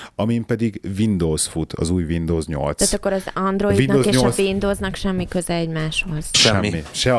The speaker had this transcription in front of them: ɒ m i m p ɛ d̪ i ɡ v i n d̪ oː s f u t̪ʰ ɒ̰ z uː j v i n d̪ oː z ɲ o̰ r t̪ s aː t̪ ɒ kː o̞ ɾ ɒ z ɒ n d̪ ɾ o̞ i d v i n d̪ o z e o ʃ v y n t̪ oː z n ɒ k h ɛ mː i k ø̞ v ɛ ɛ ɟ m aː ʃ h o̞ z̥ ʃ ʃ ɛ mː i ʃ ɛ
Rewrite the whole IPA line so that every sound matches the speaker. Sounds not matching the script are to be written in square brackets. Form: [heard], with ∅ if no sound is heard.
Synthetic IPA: ɒ m i m p ɛ d̪ i ɡ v i n d̪ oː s f u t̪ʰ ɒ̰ z uː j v i n d̪ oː z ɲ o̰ [l] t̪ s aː t̪ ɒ kː o̞ ɾ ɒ z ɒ n d̪ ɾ o̞ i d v i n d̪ o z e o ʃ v [i] n [d̪] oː z n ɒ k [ʃ] ɛ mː i k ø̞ [z] ɛ ɛ ɟ m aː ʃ h o̞ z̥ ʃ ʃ ɛ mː i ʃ ɛ